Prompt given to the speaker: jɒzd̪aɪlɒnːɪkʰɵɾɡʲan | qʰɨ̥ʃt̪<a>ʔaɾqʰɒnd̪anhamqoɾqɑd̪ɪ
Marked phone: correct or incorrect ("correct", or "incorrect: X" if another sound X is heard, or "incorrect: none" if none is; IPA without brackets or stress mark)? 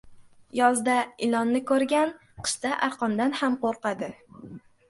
correct